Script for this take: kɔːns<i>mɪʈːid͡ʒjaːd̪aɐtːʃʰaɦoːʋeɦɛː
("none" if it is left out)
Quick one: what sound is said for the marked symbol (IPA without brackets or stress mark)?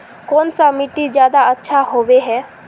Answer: a